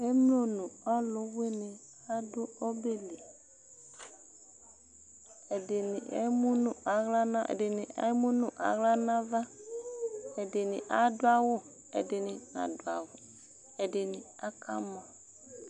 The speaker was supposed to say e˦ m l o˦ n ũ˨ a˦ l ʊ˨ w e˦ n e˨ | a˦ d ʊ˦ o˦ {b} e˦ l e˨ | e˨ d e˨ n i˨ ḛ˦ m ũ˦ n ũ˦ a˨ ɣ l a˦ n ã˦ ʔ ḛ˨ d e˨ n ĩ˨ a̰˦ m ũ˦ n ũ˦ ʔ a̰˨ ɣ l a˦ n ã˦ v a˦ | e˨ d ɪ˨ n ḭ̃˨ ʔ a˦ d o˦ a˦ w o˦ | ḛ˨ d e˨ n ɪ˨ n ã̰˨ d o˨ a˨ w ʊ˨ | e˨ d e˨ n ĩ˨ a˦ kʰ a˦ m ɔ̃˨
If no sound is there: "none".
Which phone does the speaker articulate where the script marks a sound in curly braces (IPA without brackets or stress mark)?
b